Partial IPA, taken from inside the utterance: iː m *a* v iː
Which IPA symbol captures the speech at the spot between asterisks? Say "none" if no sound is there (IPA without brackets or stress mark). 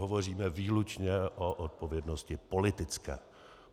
ɛ